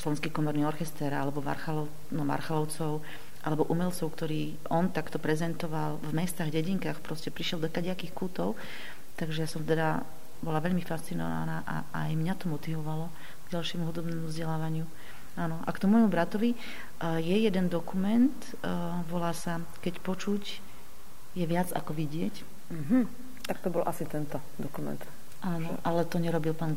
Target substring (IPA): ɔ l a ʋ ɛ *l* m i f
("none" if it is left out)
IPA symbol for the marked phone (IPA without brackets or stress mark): ʎ